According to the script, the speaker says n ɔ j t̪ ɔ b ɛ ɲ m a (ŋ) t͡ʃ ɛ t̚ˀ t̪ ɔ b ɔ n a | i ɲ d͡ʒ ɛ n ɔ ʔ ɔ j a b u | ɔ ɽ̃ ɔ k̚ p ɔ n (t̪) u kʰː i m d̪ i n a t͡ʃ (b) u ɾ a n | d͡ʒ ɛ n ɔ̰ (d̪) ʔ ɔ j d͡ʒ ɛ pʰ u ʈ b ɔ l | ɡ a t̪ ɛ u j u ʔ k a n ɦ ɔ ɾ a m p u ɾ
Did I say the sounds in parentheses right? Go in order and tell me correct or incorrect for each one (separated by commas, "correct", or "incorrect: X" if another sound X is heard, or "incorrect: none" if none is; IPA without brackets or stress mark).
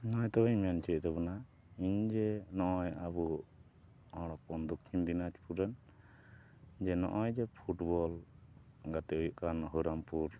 incorrect: n, incorrect: d̪, incorrect: p, incorrect: none